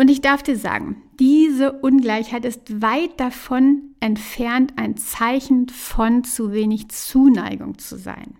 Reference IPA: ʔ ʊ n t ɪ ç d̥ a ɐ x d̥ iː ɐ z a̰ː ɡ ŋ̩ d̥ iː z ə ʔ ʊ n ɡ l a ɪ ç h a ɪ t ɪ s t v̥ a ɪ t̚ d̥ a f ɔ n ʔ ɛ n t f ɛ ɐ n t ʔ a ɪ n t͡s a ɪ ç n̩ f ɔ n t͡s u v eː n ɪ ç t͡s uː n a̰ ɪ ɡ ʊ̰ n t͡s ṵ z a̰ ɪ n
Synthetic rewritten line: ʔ ʊ n t ɪ ç d̥ a ɐ f d̥ iː ɐ z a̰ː ɡ ŋ̩ d̥ iː z ə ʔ ʊ n ɡ l a ɪ ç h a ɪ t ɪ s t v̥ a ɪ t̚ d̥ a f ɔ n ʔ ɛ n t f ɛ ɐ n t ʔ a ɪ n t͡s a ɪ ç n̩ f ɔ n t͡s u v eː n ɪ ç t͡s uː n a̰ ɪ ɡ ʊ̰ ŋ t͡s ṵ z a̰ ɪ n